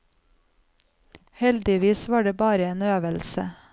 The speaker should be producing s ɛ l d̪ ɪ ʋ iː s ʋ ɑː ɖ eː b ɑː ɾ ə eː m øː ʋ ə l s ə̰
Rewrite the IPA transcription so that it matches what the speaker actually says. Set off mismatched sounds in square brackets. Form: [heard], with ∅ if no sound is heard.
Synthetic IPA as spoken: [h] ɛ l d̪ ɪ ʋ iː s ʋ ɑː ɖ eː b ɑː ɾ ə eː [n] øː ʋ ə l s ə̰